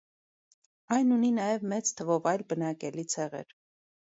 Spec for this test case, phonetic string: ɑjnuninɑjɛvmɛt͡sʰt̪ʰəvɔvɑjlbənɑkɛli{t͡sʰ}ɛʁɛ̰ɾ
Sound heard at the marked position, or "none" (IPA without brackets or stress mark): t͡sʰ